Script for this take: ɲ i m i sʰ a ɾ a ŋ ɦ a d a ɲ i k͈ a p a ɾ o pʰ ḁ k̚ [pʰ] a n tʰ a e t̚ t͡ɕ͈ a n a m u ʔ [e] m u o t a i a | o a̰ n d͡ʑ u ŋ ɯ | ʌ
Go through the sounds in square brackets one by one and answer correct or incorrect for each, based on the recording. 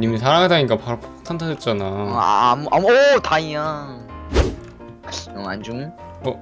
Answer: incorrect: tʰ, incorrect: a

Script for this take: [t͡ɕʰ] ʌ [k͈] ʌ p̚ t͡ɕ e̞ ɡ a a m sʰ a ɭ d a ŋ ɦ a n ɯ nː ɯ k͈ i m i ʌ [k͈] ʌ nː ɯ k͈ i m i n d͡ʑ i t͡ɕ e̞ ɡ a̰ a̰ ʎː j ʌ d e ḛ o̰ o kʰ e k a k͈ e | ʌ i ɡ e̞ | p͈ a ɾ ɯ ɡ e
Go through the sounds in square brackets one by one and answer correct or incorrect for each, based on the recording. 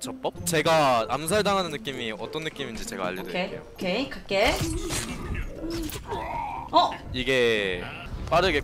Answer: incorrect: t͡ɕ, incorrect: p͈, incorrect: t͈

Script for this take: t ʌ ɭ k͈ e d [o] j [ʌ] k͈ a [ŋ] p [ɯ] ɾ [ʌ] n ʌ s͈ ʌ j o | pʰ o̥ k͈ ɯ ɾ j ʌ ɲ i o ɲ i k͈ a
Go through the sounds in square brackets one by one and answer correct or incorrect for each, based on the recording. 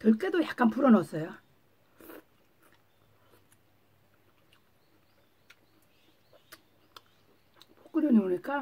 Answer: correct, incorrect: a, incorrect: n, incorrect: u, correct

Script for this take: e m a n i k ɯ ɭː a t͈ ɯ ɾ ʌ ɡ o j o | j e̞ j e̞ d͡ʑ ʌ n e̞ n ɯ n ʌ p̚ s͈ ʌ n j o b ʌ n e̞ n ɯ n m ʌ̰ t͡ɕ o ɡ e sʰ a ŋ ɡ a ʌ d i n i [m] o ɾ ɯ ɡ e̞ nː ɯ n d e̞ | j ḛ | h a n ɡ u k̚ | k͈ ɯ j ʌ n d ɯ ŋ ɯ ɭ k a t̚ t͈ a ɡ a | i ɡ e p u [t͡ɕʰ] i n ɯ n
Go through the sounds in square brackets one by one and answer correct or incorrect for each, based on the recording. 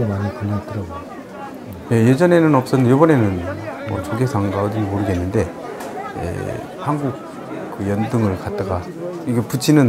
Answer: correct, correct

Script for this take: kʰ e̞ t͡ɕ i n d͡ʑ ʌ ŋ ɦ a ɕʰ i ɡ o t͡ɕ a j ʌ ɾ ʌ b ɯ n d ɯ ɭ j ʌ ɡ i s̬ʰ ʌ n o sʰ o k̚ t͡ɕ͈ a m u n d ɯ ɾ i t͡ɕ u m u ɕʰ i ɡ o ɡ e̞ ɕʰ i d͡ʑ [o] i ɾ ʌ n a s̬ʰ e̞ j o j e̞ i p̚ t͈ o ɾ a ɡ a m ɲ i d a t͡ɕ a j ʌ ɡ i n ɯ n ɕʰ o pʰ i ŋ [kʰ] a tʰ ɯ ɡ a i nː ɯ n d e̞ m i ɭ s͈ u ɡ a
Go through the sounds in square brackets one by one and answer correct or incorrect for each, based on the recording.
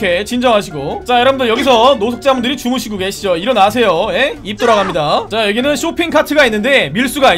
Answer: correct, correct

